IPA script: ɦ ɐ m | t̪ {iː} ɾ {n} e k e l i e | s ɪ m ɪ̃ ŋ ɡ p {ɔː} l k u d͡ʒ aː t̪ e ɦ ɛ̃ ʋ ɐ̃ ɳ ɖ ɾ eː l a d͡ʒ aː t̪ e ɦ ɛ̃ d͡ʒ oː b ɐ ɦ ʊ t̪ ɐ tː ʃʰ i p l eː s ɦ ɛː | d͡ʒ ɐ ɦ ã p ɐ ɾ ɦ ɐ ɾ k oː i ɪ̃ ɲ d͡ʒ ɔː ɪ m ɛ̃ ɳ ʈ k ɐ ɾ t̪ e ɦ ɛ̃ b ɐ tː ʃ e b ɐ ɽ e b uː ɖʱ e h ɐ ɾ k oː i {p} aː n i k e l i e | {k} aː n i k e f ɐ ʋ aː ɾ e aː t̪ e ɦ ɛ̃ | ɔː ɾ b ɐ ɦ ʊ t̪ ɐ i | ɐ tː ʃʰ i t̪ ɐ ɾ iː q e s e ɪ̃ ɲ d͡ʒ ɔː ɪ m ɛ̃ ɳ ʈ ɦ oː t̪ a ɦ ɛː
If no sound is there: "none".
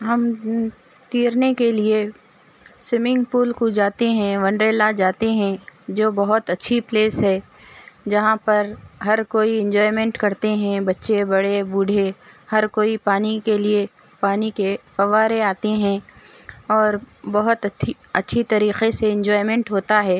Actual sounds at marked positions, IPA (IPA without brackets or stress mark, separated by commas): iː, n, uː, p, p